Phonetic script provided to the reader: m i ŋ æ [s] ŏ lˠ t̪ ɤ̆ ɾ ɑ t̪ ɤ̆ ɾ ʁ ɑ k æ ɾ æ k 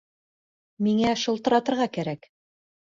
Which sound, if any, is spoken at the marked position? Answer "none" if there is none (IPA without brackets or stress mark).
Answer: ʃ